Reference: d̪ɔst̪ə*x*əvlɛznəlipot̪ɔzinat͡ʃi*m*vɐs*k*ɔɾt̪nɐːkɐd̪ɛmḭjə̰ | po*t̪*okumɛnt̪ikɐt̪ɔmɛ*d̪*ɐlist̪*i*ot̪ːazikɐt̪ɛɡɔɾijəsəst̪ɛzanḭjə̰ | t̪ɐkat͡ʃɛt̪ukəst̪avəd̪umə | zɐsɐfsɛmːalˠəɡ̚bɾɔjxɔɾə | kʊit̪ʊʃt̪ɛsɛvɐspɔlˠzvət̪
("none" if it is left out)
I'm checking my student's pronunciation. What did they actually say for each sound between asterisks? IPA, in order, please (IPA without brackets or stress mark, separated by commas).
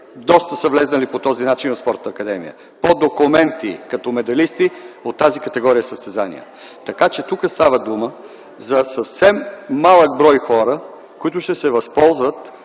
s, n, p, d̪, d̪, i